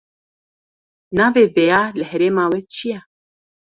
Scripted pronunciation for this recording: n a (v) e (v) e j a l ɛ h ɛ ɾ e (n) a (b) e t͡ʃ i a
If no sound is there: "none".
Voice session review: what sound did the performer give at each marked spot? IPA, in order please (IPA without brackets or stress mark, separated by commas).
v, v, m, w